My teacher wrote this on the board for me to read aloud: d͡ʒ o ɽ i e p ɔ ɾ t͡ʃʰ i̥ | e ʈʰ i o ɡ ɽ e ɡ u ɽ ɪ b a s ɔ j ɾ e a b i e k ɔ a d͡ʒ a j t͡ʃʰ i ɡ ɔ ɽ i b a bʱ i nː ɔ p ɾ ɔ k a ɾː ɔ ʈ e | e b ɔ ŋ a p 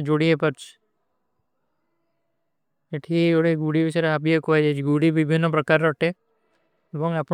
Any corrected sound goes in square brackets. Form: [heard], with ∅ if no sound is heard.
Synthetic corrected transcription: d͡ʒ o ɽ i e p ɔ ɾ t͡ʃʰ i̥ | e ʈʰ i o [∅] ɽ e ɡ u ɽ [i] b [i] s ɔ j ɾ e a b i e k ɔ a d͡ʒ a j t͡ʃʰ i ɡ [u] ɽ i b [i] bʱ i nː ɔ p ɾ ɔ k a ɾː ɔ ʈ e | e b ɔ ŋ a p

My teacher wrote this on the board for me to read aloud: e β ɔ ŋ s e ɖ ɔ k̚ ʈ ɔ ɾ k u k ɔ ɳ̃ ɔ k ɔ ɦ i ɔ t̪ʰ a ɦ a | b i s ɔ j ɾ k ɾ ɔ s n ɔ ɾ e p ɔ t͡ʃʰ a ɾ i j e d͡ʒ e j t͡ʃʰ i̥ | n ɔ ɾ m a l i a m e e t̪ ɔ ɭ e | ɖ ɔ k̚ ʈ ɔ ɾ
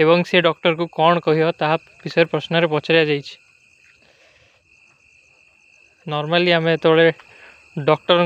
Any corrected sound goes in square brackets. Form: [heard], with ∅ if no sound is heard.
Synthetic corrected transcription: e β ɔ ŋ s e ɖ ɔ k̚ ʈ ɔ ɾ k u k ɔ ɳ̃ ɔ k ɔ ɦ i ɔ [t̪] a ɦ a | b i s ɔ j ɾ [p] ɾ ɔ s n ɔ ɾ e p ɔ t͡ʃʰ a ɾ i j [a] d͡ʒ [a] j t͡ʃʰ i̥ | n ɔ ɾ m a l i a m e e t̪ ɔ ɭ e | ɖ ɔ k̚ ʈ ɔ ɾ

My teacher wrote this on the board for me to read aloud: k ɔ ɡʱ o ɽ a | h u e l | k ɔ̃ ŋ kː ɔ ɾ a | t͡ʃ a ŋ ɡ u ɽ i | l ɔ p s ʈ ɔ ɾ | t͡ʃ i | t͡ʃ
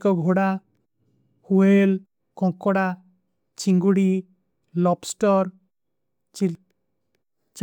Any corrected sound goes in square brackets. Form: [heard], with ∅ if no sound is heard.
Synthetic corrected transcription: k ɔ ɡʱ o ɽ a | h u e l | k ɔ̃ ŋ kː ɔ [ɽ] a | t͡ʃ [i] ŋ ɡ u ɽ i | l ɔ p s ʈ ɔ ɾ | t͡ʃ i | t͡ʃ

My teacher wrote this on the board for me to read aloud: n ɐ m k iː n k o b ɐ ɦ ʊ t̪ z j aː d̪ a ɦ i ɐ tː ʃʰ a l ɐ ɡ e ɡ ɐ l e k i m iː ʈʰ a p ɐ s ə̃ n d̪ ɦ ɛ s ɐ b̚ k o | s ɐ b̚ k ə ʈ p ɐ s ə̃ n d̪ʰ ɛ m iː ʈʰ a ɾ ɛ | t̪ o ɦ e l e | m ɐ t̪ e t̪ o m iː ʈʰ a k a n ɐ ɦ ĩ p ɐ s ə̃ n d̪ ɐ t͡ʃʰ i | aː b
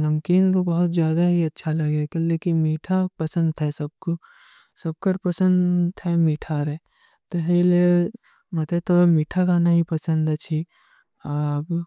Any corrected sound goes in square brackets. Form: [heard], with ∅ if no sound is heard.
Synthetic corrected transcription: n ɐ m k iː n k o b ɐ ɦ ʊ t̪ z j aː d̪ a ɦ i ɐ tː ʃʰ a l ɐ ɡ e [k] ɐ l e k i m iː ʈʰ a p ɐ s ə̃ n d̪ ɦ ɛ s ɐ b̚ k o | s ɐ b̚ k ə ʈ p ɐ s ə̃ n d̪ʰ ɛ m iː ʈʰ a ɾ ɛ | t̪ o ɦ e l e | m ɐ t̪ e t̪ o m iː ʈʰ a k a n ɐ ɦ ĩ p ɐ s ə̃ n d̪ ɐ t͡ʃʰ i | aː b

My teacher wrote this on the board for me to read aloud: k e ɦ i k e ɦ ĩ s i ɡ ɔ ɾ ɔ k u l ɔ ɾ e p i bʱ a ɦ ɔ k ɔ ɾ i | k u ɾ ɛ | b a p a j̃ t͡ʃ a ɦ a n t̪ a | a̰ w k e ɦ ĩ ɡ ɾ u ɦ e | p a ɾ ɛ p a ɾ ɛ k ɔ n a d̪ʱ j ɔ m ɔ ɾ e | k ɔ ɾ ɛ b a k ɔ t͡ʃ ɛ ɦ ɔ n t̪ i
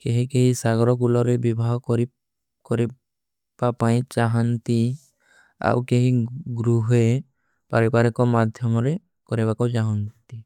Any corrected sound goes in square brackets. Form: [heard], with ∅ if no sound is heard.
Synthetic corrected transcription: k e ɦ i k e ɦ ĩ s [a] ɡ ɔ ɾ ɔ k u l ɔ ɾ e [b] i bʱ a ɦ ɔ k ɔ ɾ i | k [ɔ] ɾ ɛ | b a p a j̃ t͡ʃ a ɦ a n t̪ [i] | a̰ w k e ɦ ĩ ɡ ɾ u ɦ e | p a ɾ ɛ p a ɾ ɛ k ɔ [m] a d̪ʱ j ɔ m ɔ ɾ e | k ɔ ɾ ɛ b a k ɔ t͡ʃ [a] ɦ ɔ n t̪ i

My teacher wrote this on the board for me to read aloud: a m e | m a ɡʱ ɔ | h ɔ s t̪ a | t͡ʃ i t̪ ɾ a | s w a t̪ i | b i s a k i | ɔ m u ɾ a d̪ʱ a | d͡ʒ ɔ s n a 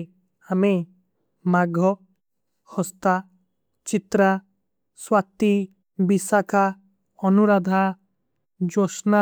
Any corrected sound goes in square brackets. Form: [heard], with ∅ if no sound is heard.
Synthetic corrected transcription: a m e | m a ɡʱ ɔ | h ɔ s t̪ a | t͡ʃ i t̪ ɾ a | s w a t̪ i | b i s a k [a] | ɔ [n] u ɾ a d̪ʱ a | d͡ʒ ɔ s n a

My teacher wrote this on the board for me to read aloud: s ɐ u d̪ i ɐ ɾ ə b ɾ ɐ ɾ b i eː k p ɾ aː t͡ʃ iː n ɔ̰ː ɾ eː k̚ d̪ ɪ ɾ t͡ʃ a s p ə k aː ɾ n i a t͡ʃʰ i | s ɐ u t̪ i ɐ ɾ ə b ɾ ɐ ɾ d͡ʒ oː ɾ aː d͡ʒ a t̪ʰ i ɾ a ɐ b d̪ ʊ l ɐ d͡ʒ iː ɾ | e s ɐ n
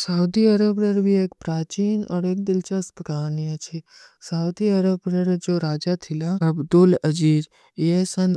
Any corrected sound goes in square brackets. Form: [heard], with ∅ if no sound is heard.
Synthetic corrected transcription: s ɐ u d̪ i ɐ ɾ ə b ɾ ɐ ɾ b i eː k p ɾ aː t͡ʃ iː n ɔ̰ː ɾ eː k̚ d̪ ɪ [l] t͡ʃ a s p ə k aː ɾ n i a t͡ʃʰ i | s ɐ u [d̪] i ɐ ɾ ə b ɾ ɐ ɾ d͡ʒ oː ɾ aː d͡ʒ a t̪ʰ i [l] a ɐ b d̪ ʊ l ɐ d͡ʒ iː ɾ | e s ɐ n

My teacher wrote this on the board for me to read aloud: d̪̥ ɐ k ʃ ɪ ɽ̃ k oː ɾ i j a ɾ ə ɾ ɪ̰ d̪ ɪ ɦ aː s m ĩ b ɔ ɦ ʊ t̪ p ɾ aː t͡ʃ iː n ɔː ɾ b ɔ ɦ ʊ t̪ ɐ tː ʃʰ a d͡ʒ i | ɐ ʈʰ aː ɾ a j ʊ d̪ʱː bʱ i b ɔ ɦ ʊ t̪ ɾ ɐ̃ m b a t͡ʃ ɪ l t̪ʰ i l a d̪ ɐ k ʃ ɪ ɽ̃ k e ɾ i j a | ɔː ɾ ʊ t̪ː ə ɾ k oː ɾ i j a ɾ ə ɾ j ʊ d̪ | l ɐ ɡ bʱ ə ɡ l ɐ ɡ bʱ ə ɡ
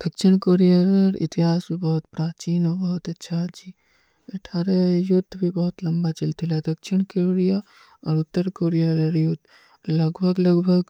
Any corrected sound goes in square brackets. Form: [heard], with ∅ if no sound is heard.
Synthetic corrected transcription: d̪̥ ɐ k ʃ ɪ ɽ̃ k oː ɾ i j a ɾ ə ɾ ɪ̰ [t̪] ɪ ɦ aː s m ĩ b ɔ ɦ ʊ t̪ p ɾ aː t͡ʃ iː n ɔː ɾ b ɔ ɦ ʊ t̪ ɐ tː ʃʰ a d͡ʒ i | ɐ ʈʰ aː ɾ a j ʊ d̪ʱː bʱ i b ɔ ɦ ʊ t̪ [l] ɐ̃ m b a t͡ʃ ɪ l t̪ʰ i l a d̪ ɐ k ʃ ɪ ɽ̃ k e ɾ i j a | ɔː ɾ ʊ t̪ː ə ɾ k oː ɾ i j a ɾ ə ɾ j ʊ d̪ | l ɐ ɡ bʱ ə ɡ l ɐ ɡ bʱ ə ɡ

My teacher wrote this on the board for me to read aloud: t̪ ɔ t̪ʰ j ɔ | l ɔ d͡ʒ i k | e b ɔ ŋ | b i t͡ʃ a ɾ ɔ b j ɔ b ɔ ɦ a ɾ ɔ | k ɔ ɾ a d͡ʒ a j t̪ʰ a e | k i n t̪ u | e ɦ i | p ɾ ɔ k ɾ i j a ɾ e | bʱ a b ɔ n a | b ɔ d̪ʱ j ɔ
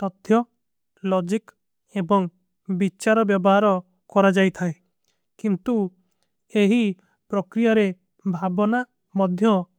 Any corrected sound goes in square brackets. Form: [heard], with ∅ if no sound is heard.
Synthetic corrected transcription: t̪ ɔ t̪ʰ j ɔ | l ɔ d͡ʒ i k | e b ɔ ŋ | b i t͡ʃ a ɾ ɔ b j ɔ b ɔ ɦ a ɾ ɔ | k ɔ ɾ a d͡ʒ a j t̪ʰ a e | k i n t̪ u | e ɦ i | p ɾ ɔ k ɾ i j a ɾ e | bʱ a b ɔ n a | [m] ɔ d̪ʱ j ɔ

